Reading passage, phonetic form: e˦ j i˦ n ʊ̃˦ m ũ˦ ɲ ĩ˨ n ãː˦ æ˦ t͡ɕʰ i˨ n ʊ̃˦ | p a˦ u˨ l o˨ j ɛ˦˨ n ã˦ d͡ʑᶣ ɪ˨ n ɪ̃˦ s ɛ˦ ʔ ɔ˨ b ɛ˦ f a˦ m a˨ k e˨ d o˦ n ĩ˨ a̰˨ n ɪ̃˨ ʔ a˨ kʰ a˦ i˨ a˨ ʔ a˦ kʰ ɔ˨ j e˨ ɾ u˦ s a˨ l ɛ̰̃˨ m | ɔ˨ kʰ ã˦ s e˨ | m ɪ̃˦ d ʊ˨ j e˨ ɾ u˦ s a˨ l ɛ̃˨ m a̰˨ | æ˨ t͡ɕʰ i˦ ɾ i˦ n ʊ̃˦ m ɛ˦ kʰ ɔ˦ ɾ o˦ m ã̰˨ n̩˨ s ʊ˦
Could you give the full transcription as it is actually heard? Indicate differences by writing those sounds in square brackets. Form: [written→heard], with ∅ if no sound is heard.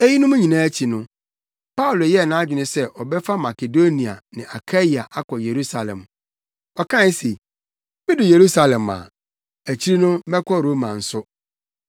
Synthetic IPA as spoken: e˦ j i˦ n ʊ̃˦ m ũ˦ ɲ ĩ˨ n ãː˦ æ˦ t͡ɕʰ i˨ n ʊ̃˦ | p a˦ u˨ l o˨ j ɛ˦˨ n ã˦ d͡ʑᶣ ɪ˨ n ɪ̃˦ s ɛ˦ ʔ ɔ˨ b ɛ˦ f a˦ m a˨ k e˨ d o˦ n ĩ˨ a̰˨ n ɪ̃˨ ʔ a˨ kʰ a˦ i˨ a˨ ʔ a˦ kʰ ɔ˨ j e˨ ɾ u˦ s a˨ l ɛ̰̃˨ m | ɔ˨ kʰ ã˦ s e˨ | m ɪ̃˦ d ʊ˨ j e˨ ɾ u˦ s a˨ l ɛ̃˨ m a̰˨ | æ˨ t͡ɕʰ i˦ ɾ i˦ n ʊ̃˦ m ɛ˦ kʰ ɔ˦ ɾ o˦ m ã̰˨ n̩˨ s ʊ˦